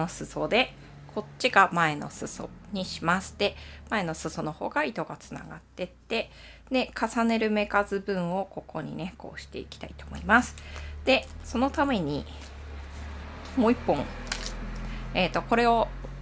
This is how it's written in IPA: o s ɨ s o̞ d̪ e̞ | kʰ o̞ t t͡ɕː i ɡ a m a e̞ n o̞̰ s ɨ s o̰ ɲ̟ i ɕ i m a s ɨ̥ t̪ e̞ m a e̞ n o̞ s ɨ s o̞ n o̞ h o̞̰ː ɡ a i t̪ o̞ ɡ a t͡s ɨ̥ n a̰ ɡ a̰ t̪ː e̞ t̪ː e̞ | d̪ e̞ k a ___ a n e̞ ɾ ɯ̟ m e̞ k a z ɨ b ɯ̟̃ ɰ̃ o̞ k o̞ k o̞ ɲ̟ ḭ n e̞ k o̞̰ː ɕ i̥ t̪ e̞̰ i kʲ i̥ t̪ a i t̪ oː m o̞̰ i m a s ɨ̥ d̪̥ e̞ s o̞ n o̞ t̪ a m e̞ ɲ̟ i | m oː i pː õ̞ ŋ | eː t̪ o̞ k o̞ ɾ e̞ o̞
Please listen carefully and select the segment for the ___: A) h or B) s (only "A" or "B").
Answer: B